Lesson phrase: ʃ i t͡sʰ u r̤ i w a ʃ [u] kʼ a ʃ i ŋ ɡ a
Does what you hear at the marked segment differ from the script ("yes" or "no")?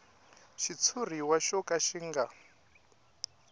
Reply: yes